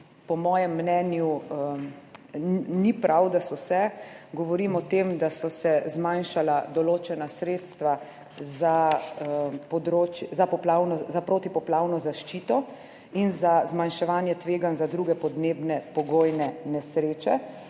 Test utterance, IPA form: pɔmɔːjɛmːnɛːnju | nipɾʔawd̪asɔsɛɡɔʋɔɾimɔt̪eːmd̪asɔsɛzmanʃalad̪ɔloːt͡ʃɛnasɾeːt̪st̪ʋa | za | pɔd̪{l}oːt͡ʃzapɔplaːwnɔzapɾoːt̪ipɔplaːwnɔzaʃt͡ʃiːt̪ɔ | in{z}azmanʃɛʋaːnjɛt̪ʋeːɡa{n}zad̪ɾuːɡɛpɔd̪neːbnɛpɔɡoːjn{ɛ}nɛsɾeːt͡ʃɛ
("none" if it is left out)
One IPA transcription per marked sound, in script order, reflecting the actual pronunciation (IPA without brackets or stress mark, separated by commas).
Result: ɾ, z, n, ɛ